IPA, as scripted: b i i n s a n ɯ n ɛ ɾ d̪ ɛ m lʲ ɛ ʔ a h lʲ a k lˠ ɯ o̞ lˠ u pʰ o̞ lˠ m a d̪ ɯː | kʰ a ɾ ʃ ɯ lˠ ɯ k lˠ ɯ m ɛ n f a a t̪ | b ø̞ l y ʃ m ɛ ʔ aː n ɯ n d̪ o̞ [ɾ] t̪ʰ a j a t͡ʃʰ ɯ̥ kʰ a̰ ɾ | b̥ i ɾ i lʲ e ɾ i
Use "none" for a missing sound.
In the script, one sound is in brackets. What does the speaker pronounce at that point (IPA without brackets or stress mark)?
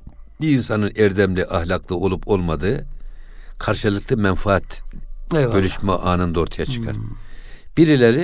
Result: ɾ